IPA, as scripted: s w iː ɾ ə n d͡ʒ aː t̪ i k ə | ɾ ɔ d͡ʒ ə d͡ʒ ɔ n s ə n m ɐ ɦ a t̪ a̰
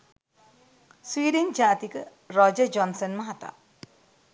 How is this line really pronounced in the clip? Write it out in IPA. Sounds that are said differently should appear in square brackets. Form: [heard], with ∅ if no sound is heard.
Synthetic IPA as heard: s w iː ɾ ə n d͡ʒ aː t̪ i k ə | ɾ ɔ d͡ʒ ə d͡ʒ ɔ n s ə n m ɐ ɦ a t̪ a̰